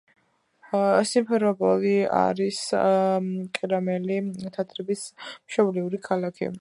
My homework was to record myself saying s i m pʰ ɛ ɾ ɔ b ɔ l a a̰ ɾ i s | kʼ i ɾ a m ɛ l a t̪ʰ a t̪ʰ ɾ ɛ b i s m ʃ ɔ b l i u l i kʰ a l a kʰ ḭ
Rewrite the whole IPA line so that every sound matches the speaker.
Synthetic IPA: s i m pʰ ɛ ɾ ɔ b ɔ l i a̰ ɾ i s | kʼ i ɾ a m ɛ l i t̪ʰ a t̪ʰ ɾ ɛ b i s m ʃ ɔ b l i u ɾ i kʰ a l a kʰ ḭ